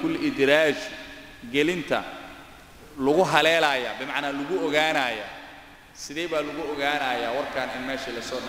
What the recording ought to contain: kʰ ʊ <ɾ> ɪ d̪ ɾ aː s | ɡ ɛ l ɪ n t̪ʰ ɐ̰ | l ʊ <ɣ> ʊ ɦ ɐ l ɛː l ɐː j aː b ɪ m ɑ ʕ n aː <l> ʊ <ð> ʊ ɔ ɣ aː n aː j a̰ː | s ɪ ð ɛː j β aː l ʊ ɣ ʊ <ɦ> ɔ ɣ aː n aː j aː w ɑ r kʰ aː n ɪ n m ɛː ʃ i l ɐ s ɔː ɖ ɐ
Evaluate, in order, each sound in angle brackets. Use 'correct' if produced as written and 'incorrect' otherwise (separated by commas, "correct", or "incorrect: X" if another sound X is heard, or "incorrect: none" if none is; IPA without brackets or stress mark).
incorrect: l, correct, correct, incorrect: ɣ, incorrect: none